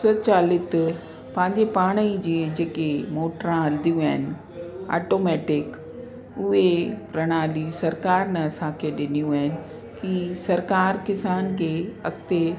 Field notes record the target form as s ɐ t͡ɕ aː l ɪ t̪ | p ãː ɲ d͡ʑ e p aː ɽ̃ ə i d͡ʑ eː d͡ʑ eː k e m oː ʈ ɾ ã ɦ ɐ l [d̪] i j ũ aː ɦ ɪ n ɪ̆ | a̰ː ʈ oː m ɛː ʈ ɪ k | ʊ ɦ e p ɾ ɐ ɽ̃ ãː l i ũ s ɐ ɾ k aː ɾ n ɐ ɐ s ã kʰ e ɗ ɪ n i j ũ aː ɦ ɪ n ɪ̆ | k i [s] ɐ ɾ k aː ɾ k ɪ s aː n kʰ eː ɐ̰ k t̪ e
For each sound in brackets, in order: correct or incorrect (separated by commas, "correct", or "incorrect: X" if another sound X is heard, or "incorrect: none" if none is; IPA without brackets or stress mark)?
correct, correct